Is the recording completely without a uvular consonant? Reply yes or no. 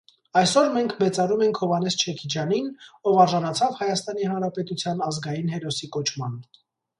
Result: yes